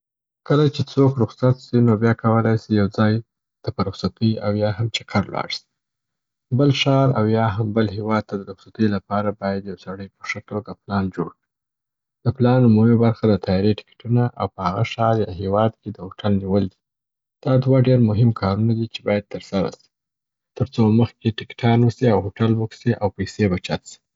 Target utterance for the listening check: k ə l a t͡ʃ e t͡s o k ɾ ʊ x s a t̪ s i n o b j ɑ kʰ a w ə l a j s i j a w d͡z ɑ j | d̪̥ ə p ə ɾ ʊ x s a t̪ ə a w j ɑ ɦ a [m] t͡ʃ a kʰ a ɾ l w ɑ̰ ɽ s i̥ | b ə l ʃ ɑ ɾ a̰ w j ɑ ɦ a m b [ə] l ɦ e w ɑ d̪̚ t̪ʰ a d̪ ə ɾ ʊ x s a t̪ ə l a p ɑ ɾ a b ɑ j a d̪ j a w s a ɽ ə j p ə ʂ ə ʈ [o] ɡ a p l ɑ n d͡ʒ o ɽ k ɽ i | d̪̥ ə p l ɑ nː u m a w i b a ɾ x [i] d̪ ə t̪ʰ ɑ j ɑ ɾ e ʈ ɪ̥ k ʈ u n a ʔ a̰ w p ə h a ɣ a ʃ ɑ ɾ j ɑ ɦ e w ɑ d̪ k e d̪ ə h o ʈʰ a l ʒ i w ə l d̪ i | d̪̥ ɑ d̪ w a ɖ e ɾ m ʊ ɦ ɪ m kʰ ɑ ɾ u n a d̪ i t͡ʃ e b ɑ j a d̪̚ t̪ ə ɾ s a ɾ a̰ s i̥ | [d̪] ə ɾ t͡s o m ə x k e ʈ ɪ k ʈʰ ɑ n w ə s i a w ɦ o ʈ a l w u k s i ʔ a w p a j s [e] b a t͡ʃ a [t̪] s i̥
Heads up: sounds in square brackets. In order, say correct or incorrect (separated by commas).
correct, correct, correct, incorrect, incorrect, correct, correct